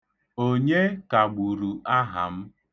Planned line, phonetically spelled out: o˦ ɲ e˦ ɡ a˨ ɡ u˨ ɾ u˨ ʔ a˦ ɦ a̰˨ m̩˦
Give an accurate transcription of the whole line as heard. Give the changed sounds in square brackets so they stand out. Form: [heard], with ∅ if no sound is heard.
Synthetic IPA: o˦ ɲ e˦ [k] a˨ [ɡ͡b] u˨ ɾ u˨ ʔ a˦ ɦ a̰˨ m̩˦